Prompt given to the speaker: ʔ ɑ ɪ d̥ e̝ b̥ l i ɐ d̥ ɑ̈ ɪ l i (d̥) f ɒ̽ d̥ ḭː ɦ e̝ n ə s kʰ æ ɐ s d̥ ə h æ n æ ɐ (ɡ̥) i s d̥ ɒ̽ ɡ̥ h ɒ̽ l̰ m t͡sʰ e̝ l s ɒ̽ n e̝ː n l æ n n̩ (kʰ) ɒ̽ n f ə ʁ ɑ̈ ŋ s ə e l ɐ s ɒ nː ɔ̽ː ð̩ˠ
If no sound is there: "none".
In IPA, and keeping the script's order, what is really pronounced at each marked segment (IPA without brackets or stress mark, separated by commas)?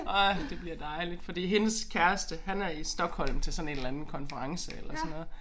d̥, none, kʰ